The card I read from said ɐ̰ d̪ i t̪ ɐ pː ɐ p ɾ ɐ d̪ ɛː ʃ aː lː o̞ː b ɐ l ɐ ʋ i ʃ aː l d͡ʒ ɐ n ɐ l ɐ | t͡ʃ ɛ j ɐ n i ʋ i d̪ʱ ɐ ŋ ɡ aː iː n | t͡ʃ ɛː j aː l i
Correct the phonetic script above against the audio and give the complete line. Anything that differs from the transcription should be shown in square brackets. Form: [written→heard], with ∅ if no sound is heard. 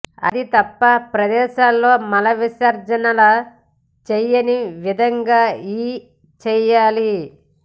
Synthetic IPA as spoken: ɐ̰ d̪ i t̪ ɐ pː ɐ p ɾ ɐ d̪ ɛː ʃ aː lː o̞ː [b→m] ɐ l ɐ ʋ i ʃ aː [l→ɾ] d͡ʒ ɐ n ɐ l ɐ | t͡ʃ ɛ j ɐ n i ʋ i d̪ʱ ɐ ŋ ɡ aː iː [n→∅] | t͡ʃ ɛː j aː l i